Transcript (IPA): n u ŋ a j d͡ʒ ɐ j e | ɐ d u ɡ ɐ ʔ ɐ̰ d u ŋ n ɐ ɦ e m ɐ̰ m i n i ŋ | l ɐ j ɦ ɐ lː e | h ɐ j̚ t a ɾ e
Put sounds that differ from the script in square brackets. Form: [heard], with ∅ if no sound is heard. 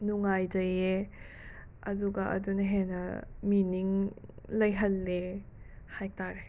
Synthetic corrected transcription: n u ŋ a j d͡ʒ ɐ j e | ɐ d u ɡ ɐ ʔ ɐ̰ d u [∅] n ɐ ɦ e [n] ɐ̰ m i n i ŋ | l ɐ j ɦ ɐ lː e | h [a] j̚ t a ɾ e